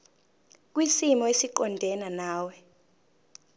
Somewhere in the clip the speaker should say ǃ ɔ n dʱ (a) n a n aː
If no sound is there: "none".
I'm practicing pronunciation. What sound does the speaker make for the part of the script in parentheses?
ɛ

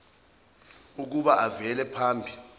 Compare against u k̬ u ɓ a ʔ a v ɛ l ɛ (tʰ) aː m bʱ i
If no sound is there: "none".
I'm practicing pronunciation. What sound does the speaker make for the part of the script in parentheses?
pʰ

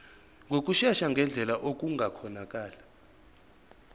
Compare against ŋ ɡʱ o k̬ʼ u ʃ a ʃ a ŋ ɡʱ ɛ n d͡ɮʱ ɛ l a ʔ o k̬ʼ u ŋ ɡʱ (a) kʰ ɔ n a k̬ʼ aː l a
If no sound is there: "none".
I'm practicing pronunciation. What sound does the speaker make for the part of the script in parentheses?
a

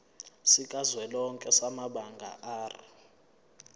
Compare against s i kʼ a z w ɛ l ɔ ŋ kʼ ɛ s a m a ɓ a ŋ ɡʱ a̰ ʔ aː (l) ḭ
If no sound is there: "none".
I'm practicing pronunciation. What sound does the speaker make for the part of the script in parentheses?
r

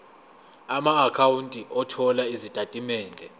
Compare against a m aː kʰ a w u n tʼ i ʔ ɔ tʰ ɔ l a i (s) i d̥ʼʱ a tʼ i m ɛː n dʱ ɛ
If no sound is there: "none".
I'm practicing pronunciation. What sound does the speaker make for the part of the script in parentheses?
z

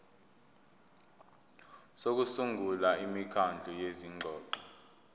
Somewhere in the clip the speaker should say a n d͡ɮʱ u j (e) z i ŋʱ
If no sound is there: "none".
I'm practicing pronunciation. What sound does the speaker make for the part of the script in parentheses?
e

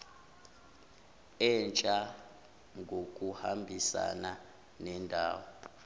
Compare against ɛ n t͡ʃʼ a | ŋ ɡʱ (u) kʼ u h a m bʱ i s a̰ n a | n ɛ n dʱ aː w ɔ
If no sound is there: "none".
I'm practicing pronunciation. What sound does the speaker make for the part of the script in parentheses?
o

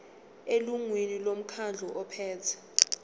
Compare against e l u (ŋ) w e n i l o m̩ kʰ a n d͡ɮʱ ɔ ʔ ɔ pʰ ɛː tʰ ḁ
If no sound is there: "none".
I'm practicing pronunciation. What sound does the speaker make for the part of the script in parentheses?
ŋ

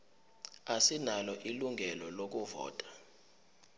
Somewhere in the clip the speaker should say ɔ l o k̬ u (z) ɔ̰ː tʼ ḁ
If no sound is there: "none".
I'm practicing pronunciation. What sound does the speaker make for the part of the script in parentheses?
v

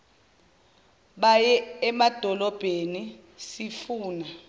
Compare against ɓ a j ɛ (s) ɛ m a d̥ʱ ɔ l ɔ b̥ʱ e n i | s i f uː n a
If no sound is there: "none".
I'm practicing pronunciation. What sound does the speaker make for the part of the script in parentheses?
none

